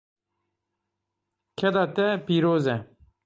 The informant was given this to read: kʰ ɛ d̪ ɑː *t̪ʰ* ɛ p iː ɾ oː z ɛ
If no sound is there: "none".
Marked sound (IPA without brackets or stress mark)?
t̪